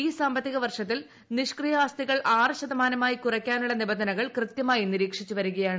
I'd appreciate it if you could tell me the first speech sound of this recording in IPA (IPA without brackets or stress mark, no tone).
iː